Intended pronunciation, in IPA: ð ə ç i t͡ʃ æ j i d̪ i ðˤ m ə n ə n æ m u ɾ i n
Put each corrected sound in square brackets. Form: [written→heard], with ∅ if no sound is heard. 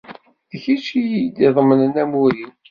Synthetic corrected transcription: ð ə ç i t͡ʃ [æ→i] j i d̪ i ðˤ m ə n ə n æ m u ɾ i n